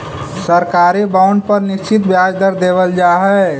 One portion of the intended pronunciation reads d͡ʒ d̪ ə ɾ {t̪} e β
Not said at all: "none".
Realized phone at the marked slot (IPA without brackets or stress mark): d̪